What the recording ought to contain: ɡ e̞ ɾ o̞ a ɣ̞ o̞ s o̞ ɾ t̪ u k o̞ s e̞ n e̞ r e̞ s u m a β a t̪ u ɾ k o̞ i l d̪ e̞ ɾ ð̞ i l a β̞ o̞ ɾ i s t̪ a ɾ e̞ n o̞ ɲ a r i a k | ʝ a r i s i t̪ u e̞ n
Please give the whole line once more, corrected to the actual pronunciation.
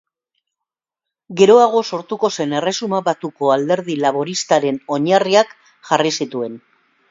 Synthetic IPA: ɡ e̞ ɾ o̞ a ɣ̞ o̞ s o̞ ɾ t̪ u k o̞ s e̞ n e̞ r e̞ s u m a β a t̪ u k o̞ a l d̪ e̞ ɾ ð̞ i l a β̞ o̞ ɾ i s t̪ a ɾ e̞ n o̞ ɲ a r i a k | ʝ a r i s i t̪ u e̞ n